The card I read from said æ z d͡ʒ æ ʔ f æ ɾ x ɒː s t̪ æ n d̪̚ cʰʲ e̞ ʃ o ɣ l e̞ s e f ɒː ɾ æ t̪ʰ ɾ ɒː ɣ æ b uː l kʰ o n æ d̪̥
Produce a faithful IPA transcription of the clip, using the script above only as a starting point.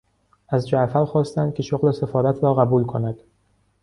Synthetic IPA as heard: æ z d͡ʒ æ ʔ f æ ɾ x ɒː s t̪ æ n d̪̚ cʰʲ e̞ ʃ o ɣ l e̞ s e f ɒː ɾ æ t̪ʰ ɾ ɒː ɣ æ b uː l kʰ o n æ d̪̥

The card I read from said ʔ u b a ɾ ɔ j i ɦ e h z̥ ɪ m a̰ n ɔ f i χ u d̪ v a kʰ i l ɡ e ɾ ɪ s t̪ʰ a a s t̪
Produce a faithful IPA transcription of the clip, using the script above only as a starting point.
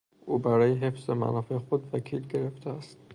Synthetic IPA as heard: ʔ u b a ɾ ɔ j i ɦ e f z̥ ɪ m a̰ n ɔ f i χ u d̪ v a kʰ i l ɡ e ɾ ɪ f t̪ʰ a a s t̪

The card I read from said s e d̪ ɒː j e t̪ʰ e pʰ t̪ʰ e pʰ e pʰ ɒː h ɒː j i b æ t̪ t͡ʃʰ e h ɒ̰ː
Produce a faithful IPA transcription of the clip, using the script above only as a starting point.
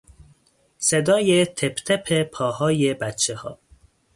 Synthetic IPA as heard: s e d̪ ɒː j e t̪ʰ e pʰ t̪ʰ e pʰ e pʰ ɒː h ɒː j e b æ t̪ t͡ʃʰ e h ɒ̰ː

